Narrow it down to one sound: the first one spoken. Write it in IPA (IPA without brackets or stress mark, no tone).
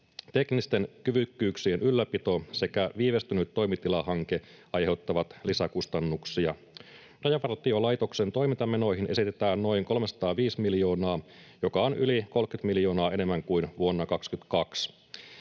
t̪